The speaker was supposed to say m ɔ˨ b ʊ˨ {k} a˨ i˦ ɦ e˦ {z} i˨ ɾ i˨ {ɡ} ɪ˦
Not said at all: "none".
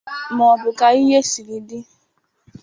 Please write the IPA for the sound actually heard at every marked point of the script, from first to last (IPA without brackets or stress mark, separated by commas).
k, s, d